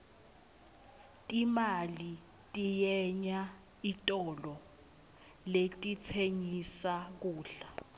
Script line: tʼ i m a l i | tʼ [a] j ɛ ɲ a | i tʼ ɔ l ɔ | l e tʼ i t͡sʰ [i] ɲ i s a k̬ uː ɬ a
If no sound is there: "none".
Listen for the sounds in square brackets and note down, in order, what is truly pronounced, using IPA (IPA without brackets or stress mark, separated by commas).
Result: i, e